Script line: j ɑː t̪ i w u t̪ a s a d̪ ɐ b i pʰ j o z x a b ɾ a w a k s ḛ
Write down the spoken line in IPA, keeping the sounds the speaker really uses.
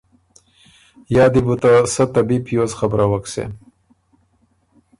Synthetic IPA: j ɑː d̪ i b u t̪ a s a t̪ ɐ b i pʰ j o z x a b ɾ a w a k s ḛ